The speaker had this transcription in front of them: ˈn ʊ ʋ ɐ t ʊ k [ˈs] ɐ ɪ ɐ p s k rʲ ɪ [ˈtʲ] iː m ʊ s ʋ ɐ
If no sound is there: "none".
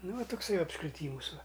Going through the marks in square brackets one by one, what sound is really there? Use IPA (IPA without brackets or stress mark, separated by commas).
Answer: s, tʲ